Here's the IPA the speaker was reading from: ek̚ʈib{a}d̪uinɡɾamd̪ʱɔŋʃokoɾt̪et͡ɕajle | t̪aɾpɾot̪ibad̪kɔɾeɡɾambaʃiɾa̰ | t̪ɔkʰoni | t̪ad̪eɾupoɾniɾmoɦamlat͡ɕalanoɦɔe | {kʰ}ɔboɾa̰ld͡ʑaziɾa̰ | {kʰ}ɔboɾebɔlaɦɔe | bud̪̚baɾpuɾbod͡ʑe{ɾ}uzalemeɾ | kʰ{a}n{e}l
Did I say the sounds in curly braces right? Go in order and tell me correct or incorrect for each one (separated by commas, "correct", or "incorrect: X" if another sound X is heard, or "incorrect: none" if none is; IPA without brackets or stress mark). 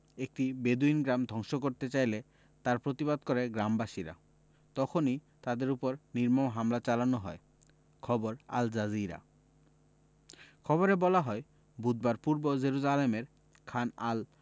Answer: incorrect: e, correct, correct, correct, correct, incorrect: a